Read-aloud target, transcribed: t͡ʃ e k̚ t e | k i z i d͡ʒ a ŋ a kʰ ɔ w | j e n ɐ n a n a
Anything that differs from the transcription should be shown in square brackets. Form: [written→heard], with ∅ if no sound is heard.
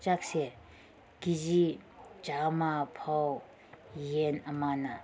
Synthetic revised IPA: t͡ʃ [e→a] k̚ [t→s] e | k i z i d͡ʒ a [ŋ→m] a [kʰ→pʰ] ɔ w | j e n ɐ [n→m] a n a